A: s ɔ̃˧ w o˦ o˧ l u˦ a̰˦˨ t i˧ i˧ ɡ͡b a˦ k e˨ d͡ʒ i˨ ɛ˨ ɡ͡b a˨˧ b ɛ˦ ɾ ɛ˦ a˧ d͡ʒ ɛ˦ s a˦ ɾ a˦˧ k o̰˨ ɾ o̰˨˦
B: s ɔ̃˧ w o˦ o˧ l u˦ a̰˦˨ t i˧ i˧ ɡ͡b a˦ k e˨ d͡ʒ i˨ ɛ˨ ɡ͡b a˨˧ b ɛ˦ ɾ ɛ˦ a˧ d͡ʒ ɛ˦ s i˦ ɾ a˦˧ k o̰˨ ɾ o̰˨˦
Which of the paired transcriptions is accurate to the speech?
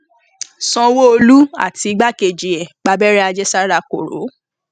A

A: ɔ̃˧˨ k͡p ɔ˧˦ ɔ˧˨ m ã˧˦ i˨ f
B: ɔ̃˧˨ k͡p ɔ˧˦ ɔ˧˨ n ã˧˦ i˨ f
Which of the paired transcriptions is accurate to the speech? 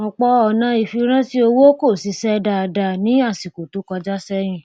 B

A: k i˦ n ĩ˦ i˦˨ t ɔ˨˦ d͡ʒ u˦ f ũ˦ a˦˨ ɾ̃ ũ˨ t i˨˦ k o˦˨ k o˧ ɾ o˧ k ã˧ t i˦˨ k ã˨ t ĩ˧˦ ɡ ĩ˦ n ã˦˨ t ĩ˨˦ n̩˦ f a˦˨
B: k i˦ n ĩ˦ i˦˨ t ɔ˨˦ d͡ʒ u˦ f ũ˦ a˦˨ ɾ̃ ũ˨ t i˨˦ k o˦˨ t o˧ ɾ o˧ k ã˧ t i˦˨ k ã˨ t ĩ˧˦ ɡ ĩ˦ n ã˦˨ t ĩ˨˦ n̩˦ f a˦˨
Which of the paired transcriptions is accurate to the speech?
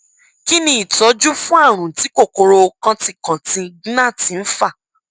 A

